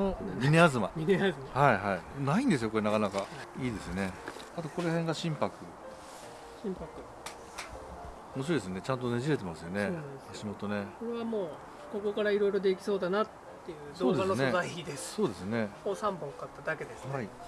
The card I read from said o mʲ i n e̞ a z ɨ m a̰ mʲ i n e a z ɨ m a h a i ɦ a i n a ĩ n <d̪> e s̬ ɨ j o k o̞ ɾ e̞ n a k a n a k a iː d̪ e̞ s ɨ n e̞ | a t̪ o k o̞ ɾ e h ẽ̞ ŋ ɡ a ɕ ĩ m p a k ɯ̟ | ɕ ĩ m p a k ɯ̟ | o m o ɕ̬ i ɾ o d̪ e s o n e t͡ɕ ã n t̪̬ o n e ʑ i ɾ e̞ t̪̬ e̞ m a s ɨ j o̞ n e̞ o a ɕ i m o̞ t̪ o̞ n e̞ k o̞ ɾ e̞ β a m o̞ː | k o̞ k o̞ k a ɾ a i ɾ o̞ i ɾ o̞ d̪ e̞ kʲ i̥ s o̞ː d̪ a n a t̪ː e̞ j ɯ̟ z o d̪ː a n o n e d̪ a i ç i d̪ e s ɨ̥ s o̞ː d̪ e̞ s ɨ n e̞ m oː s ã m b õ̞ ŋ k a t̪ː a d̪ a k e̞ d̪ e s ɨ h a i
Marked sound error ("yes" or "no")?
no